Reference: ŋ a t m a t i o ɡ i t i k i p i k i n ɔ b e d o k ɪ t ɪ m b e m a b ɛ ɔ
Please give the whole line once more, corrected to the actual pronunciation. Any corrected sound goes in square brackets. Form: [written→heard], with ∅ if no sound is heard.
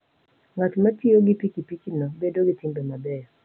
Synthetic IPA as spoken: ŋ a t m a t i o ɡ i [t→p] i k i p i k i n ɔ b e d o [k→ɡ] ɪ t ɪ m b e m a b ɛ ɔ